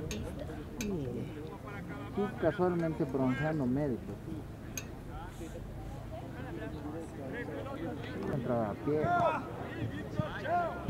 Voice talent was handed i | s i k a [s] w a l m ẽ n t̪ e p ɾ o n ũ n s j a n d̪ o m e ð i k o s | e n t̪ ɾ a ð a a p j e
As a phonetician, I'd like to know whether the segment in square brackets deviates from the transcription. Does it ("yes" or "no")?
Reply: no